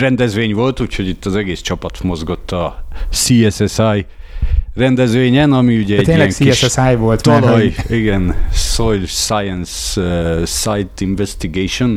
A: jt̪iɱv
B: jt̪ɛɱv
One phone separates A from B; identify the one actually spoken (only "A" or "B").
A